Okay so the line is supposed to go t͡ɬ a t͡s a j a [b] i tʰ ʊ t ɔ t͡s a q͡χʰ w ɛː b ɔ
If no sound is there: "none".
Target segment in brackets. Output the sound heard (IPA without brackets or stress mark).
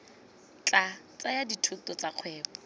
d